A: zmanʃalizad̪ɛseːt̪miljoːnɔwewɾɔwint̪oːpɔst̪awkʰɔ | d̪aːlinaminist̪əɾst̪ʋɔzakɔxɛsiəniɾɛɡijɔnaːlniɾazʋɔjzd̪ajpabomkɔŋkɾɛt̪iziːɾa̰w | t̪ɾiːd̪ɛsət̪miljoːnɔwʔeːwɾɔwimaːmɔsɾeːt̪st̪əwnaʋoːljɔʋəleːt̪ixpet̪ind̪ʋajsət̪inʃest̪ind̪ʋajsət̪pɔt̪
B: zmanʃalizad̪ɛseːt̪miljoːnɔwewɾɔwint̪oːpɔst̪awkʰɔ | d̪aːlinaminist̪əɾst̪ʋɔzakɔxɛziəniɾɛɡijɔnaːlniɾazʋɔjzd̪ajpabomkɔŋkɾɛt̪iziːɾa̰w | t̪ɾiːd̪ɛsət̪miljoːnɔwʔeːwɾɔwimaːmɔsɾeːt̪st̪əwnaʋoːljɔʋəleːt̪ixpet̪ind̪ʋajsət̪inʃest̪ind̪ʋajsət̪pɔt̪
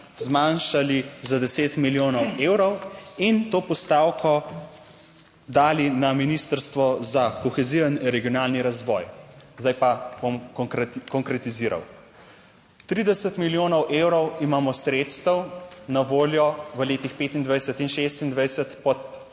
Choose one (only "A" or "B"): B